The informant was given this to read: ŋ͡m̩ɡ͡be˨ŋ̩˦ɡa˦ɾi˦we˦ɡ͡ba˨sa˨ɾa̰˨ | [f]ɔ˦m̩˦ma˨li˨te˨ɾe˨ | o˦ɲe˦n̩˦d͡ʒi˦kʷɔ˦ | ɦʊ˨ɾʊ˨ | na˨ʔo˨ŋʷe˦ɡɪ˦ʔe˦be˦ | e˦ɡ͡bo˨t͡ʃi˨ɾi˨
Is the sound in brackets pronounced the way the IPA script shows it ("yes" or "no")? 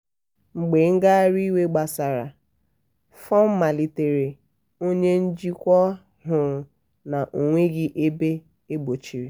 yes